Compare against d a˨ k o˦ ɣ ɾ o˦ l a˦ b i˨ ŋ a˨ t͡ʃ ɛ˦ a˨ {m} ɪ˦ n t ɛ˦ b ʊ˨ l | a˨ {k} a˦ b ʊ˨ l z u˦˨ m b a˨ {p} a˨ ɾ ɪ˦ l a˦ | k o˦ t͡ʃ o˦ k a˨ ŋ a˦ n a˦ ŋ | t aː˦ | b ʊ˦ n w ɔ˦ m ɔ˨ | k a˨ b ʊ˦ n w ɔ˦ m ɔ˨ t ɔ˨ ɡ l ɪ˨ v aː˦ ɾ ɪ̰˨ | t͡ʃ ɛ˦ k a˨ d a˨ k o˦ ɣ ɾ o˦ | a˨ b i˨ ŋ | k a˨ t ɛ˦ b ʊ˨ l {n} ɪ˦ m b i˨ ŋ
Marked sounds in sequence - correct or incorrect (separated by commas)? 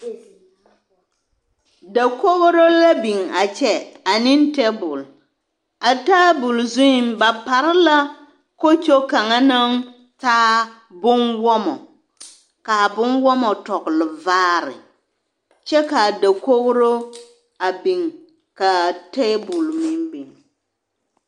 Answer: incorrect, incorrect, correct, incorrect